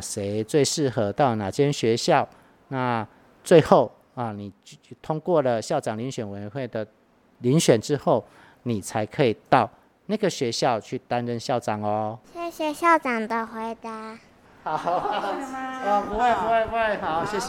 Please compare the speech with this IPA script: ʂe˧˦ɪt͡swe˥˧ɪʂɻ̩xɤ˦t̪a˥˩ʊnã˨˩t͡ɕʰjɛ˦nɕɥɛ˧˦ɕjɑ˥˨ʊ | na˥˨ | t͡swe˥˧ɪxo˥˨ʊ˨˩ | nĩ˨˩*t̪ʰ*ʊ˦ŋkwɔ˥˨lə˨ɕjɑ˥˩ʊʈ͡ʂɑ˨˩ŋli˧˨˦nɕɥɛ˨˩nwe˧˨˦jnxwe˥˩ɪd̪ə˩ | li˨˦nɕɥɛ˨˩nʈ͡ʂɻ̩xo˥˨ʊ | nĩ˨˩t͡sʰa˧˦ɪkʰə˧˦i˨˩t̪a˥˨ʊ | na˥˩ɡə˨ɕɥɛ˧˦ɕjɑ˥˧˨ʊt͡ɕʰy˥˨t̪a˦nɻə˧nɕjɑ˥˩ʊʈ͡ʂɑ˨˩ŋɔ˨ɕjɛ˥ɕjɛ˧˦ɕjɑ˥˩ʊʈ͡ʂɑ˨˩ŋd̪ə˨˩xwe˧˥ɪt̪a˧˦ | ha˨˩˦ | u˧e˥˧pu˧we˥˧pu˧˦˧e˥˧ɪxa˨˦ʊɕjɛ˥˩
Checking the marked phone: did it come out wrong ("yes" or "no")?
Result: no